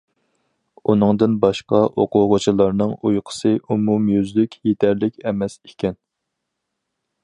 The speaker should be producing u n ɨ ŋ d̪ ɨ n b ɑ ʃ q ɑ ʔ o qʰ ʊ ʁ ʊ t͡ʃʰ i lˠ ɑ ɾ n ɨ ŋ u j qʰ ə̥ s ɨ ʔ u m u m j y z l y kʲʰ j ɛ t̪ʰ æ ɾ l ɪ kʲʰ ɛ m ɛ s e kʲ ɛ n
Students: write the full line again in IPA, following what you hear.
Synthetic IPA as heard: u n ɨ ŋ d̪ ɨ n b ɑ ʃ q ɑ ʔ o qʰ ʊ ʁ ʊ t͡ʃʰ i lˠ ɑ ɾ n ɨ ŋ u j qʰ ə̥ s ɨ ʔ u m u m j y z l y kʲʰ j e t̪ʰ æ ɾ l ɪ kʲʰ ɛ m ɛ s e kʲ ɛ n